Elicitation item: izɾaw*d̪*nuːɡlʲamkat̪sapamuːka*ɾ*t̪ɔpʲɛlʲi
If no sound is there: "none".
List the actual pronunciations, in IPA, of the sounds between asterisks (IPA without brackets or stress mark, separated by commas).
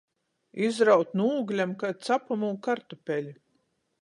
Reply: t̪, ɾ